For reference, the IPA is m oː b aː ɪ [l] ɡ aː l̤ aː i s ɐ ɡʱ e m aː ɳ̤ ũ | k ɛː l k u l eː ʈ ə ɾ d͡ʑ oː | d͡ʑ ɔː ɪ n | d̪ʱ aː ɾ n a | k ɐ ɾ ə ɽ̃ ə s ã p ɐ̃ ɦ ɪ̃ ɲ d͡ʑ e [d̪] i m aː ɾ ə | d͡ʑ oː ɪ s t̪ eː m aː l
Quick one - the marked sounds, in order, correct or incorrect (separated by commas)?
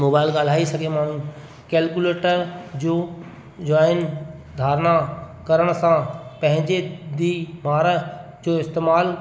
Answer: correct, correct